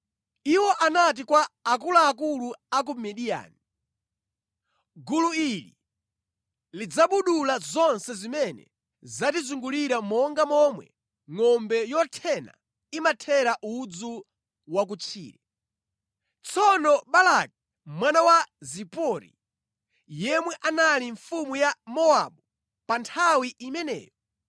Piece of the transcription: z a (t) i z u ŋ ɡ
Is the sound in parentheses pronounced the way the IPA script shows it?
yes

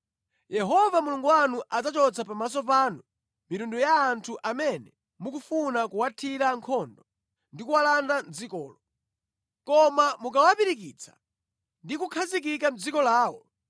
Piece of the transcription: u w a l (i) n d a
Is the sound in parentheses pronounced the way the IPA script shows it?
no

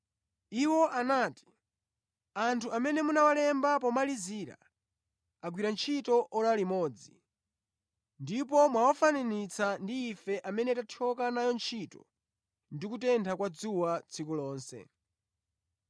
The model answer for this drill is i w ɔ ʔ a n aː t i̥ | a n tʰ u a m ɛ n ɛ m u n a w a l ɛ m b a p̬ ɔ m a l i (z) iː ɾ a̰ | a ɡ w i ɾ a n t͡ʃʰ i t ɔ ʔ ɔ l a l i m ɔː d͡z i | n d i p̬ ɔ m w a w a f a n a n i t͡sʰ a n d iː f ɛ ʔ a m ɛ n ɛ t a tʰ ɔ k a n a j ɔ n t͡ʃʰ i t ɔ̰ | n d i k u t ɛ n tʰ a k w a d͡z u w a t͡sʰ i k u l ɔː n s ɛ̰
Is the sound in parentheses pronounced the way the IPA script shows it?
yes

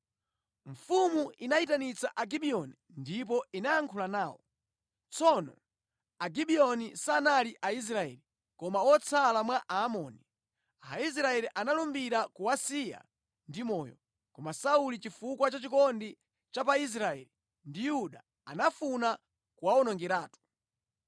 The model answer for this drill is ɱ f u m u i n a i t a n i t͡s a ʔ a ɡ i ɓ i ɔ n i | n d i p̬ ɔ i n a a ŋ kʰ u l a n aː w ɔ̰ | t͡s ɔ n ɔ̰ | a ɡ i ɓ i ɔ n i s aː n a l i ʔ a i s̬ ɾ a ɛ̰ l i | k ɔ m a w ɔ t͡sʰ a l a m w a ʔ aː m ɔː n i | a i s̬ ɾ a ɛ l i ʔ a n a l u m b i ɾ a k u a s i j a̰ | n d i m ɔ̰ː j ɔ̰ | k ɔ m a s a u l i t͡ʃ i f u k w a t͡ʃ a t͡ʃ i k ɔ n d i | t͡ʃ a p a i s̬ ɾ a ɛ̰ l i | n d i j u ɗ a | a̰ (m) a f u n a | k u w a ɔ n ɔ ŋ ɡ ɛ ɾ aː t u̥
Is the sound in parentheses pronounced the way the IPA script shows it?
no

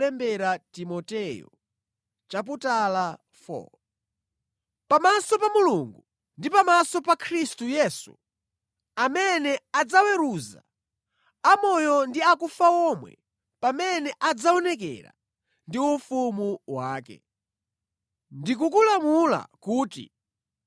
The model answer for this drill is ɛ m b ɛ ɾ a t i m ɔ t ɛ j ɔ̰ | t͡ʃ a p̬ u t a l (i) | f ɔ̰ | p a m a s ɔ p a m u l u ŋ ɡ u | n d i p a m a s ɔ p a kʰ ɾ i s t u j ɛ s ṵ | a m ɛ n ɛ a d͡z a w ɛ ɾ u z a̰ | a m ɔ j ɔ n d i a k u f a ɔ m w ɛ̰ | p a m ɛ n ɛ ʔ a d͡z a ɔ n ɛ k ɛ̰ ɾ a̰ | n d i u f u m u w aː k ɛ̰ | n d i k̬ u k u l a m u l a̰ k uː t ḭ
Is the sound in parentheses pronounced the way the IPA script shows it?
no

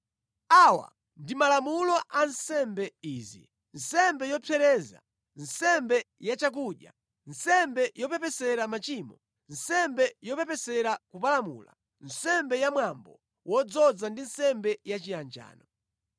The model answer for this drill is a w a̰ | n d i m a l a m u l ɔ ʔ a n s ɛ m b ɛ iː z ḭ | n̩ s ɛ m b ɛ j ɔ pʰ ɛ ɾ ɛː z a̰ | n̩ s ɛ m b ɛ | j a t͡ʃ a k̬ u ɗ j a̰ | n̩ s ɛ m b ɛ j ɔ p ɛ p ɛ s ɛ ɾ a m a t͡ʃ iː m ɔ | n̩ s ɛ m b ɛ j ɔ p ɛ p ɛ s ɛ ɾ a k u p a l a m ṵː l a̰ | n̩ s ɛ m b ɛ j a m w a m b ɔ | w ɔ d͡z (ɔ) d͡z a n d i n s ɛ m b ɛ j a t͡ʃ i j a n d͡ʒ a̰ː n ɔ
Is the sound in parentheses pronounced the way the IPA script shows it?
yes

